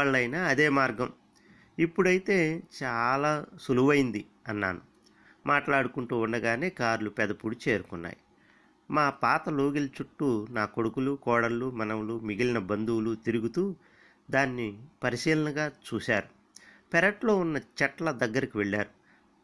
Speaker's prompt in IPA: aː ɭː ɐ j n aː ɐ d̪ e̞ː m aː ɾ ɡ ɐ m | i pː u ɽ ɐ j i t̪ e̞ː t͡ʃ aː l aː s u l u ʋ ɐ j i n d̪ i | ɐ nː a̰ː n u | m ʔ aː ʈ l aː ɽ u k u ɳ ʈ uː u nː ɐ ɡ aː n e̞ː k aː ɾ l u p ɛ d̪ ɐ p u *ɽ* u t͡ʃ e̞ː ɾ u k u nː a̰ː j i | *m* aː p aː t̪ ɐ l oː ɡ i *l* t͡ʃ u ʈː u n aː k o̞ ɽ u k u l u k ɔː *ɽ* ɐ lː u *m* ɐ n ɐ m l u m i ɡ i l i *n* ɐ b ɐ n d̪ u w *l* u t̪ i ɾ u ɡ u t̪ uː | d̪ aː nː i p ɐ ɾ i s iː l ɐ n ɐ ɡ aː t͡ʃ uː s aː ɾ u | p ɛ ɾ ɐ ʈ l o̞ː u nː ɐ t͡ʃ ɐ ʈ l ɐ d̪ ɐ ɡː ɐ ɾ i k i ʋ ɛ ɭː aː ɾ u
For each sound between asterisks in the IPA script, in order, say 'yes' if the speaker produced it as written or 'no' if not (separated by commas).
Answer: yes, yes, yes, yes, yes, yes, yes